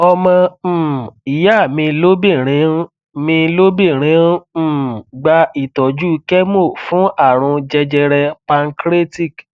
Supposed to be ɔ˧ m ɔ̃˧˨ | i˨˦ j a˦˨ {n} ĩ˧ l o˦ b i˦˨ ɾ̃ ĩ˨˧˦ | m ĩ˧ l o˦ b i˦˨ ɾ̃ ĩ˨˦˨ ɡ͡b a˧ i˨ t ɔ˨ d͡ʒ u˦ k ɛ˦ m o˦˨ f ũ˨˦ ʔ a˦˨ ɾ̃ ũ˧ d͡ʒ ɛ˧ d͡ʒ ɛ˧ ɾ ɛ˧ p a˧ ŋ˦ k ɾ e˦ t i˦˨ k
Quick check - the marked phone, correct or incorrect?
incorrect